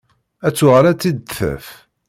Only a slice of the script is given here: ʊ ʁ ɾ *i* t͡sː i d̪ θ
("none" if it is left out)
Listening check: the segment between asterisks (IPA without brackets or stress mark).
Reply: æ